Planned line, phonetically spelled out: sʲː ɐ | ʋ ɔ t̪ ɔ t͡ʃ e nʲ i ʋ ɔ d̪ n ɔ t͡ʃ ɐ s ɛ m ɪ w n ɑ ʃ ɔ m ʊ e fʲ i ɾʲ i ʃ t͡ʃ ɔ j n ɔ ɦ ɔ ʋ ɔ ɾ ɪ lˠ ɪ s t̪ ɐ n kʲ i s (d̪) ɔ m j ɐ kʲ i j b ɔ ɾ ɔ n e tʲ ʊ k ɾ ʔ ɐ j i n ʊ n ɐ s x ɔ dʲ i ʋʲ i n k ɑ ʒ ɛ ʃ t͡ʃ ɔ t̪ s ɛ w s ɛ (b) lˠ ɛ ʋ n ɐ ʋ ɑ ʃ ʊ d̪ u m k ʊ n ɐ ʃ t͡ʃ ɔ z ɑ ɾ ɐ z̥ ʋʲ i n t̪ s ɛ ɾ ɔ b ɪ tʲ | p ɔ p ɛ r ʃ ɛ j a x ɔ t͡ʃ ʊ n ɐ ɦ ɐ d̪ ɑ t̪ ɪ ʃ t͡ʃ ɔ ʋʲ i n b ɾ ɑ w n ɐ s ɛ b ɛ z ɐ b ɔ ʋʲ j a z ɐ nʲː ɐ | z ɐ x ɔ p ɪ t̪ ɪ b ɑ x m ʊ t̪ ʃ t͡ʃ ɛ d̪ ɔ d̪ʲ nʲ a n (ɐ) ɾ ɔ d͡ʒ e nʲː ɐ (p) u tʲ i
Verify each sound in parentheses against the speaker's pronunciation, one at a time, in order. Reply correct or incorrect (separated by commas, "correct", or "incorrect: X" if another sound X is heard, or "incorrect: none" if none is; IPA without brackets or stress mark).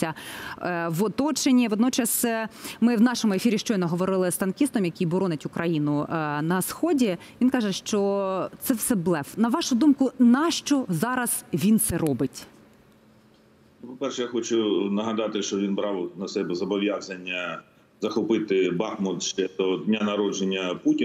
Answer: incorrect: t̪, correct, correct, correct